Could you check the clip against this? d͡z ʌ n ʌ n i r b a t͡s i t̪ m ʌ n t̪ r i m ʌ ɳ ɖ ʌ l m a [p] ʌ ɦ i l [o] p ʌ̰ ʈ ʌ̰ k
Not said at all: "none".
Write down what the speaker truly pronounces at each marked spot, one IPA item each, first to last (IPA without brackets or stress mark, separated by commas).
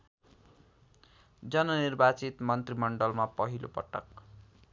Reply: p, o